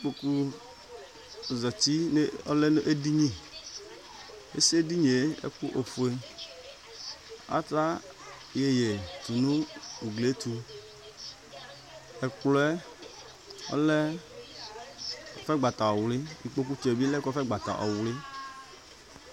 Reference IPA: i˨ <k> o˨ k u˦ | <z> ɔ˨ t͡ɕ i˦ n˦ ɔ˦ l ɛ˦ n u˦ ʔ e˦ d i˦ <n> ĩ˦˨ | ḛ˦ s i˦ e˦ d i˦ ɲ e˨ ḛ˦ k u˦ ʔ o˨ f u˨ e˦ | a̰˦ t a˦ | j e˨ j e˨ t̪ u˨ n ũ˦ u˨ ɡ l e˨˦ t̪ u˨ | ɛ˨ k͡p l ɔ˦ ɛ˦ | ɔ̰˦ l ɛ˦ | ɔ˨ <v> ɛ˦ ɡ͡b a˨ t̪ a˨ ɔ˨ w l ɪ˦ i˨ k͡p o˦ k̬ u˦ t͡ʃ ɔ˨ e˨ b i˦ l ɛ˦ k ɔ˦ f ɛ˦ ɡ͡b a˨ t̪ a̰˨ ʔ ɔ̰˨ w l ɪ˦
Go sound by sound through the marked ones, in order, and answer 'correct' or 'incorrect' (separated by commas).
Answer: incorrect, correct, incorrect, incorrect